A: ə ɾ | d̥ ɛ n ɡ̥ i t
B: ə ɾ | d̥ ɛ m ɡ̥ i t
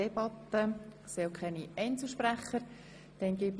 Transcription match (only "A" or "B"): A